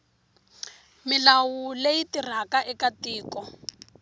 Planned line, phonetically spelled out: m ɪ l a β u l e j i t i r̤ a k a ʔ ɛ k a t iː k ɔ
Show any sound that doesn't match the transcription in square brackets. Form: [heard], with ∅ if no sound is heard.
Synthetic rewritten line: m ɪ l a [w] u l e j i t i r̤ a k a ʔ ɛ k a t iː k ɔ